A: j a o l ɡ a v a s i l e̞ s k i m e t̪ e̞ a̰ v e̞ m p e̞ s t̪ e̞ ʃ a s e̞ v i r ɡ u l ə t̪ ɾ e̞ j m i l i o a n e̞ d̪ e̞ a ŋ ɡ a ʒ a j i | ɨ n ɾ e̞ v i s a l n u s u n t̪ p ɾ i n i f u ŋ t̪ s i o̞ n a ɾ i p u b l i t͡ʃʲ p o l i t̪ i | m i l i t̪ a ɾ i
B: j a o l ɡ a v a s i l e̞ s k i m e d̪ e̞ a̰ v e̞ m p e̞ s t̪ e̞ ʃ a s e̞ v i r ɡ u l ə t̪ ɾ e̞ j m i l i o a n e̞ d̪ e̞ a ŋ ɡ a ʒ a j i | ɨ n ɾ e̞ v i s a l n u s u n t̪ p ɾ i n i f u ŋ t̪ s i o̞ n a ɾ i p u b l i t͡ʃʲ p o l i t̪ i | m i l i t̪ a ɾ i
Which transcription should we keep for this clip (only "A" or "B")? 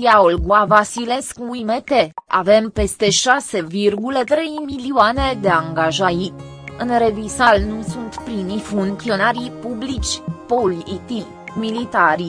A